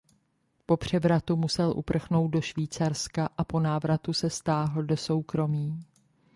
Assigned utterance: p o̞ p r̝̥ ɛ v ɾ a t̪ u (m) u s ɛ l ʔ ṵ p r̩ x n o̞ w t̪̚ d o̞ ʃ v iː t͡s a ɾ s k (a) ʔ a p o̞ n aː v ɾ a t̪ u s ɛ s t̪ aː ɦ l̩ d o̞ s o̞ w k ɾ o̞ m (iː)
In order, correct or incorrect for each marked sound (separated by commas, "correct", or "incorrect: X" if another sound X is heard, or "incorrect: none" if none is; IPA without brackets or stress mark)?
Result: correct, correct, correct